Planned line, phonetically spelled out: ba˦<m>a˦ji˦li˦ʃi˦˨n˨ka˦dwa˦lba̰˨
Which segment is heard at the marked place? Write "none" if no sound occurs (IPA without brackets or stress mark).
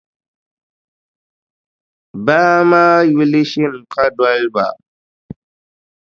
m